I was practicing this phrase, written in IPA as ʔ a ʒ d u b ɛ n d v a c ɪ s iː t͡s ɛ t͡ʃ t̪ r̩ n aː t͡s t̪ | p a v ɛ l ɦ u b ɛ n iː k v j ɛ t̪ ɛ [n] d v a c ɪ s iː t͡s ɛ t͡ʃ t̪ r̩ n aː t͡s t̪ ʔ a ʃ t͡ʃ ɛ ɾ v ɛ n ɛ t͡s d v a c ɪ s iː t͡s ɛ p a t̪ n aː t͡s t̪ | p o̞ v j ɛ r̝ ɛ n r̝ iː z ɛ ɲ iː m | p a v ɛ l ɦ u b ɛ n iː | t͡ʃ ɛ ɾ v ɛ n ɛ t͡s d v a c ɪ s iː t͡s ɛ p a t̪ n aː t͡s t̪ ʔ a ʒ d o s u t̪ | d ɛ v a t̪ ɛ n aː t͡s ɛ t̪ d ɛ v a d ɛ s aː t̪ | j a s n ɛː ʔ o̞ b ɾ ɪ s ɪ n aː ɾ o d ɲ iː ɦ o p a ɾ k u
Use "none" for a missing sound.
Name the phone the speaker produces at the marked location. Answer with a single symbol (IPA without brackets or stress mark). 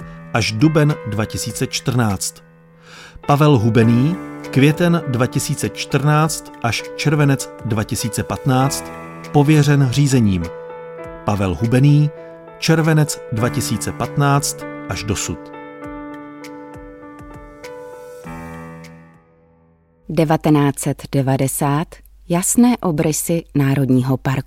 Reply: n